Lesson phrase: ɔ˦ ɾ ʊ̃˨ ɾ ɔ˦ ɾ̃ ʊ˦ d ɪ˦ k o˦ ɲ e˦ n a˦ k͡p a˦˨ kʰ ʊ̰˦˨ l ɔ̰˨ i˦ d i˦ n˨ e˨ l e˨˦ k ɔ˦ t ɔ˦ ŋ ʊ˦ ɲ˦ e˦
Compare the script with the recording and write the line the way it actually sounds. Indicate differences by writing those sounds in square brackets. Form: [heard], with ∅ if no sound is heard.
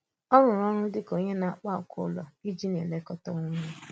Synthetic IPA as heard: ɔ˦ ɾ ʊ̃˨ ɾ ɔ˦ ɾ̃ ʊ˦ d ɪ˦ k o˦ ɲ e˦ n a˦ k͡p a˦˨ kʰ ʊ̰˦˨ l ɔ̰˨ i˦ [d͡ʒ] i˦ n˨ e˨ l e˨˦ k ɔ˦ t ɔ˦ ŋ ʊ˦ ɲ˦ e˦